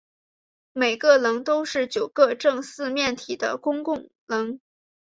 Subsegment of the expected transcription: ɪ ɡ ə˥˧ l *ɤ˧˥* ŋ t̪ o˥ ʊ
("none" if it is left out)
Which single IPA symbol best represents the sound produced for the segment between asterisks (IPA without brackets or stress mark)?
ɤ˧˥